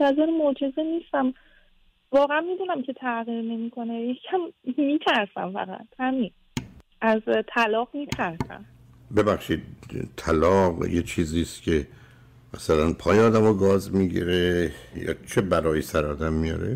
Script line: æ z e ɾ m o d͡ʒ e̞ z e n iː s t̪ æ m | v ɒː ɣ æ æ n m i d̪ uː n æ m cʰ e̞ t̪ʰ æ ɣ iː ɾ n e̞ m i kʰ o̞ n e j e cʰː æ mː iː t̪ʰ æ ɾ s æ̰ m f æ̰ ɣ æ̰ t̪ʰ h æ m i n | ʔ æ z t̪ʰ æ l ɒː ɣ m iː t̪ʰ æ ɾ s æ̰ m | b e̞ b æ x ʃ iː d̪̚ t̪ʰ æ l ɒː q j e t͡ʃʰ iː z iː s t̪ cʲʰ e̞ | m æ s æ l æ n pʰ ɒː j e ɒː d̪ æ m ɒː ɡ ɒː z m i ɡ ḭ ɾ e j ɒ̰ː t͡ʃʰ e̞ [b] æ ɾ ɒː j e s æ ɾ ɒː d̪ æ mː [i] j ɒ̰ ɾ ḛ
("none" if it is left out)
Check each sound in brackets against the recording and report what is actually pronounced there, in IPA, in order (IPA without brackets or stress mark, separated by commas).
b, i